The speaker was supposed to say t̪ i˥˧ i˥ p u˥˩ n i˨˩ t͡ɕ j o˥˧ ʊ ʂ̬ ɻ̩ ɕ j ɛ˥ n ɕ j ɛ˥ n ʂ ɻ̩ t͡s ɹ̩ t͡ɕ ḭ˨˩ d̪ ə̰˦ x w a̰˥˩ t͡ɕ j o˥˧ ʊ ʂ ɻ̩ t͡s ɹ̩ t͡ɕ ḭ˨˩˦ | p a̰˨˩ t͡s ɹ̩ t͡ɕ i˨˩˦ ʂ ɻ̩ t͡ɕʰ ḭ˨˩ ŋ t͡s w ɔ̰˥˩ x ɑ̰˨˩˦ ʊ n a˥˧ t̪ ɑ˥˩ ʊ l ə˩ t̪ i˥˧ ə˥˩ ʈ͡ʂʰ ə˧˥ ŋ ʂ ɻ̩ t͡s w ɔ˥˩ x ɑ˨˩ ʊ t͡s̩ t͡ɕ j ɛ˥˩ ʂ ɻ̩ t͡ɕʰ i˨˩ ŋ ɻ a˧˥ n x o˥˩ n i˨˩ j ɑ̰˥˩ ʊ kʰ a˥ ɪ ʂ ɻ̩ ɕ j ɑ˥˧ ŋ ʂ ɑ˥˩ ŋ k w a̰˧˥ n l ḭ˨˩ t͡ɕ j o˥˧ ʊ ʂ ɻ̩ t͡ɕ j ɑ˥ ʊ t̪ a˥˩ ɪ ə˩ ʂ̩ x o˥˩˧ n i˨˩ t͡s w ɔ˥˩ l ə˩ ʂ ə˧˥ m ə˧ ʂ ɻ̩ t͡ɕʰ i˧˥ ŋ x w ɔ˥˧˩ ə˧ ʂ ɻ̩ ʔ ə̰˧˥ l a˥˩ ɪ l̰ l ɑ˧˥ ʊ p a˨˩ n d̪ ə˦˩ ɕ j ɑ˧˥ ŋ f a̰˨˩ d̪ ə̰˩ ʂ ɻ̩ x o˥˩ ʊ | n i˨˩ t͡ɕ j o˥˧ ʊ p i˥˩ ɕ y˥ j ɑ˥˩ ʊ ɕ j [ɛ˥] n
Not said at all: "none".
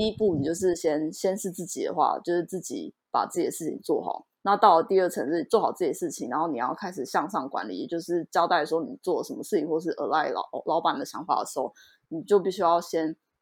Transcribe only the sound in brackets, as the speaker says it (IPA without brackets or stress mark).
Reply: ɛ˥